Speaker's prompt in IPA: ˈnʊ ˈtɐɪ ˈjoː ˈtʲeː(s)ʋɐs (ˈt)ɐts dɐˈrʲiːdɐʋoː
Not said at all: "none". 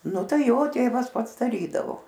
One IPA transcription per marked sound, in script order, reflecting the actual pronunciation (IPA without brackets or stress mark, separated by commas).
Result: none, p